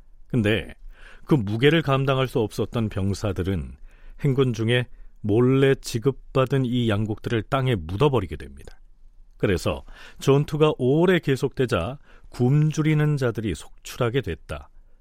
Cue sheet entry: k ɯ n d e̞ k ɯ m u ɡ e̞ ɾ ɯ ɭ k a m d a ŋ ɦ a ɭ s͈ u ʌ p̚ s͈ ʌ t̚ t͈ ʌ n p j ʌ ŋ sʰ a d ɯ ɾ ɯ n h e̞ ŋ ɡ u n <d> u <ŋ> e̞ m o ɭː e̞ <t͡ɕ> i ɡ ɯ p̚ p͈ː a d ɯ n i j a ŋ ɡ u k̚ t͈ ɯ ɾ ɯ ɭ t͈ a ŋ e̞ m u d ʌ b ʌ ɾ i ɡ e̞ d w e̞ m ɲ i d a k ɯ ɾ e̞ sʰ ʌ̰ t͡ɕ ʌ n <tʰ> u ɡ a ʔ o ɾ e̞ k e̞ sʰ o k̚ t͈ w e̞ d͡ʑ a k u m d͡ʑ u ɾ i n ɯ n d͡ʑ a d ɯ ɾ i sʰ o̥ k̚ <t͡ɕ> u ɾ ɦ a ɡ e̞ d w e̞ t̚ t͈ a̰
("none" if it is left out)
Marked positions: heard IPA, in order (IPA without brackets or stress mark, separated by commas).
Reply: d͡ʑ, ŋ, t͡ɕ, tʰ, t͡ɕʰ